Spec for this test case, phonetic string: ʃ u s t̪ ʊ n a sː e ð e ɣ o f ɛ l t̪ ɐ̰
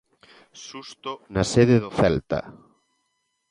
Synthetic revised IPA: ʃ u s t̪ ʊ n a s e ð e ð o θ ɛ l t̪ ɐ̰